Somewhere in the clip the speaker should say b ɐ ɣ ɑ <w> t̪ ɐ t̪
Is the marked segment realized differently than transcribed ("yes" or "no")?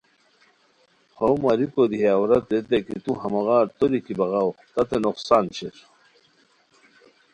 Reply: no